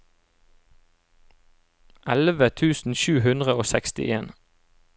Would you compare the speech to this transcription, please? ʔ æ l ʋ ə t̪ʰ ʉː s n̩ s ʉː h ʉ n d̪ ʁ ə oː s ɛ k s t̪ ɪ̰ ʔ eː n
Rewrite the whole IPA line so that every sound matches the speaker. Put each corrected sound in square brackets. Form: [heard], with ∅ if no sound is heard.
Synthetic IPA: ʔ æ l ʋ ə t̪ʰ ʉː s n̩ [ʃ] ʉː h ʉ n d̪ ʁ ə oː s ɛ k s t̪ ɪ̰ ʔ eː n